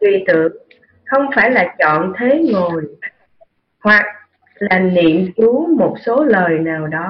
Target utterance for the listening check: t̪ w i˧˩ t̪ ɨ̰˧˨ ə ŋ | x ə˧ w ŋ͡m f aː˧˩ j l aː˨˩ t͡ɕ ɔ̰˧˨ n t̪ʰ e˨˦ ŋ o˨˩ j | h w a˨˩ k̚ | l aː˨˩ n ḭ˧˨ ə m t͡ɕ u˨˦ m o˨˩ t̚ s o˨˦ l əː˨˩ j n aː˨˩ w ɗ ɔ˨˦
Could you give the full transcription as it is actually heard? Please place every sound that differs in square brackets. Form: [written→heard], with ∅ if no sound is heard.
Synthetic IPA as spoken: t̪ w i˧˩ t̪ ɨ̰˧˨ ə ŋ | x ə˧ w ŋ͡m f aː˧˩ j l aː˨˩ t͡ɕ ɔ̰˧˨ n t̪ʰ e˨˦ ŋ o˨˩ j | h w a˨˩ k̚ | l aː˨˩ n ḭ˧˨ ə m t͡ɕ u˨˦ m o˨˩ t̚ s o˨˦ l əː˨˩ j n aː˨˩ w ɗ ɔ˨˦